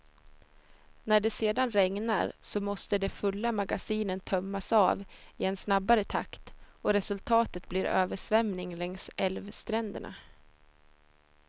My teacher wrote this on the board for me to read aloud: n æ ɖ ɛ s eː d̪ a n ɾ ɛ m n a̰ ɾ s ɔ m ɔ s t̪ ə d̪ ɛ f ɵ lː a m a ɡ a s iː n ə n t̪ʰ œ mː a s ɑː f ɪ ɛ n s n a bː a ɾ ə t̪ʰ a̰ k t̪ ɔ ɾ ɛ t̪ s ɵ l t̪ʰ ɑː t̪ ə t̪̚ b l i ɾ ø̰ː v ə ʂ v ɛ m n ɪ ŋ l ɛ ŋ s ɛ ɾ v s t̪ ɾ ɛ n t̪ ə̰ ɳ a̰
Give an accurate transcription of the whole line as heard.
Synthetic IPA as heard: n æ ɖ ɛ s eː d̪ a n ɾ ɛ ŋ n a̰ ɾ s ɔ m ɔ s t̪ ə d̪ ɛ f ɵ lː a m a ɡ a s iː n ə n t̪ʰ œ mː a s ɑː v ɪ ɛ n s n a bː a ɾ ə t̪ʰ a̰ k t̪ ɔ ɾ ɛ s ɵ l t̪ʰ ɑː t̪ ə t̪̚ b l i ɾ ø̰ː v ə ʂ v ɛ m n ɪ ŋ l ɛ ŋ s ɛ l v s t̪ ɾ ɛ n d̪ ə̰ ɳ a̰